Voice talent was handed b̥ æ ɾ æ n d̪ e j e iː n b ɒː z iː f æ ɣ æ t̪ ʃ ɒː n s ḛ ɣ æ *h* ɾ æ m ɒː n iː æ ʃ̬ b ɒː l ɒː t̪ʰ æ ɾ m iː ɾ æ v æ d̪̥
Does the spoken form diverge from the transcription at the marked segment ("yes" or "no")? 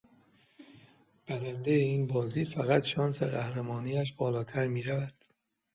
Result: no